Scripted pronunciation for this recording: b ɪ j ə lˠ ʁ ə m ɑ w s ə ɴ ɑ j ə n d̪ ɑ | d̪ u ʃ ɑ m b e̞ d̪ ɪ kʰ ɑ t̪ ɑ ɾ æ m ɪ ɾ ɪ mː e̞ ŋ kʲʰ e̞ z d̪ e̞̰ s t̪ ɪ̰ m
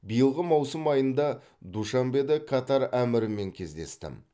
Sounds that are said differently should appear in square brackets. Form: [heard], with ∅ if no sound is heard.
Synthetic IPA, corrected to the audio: b [i] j ə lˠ ʁ ə m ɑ w s ə [m] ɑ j ə n d̪ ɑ | d̪ u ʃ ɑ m b e̞ d̪ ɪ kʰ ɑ t̪ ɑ ɾ æ m ɪ ɾ ɪ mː e̞ ŋ kʲʰ e̞ z d̪ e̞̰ s t̪ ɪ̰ m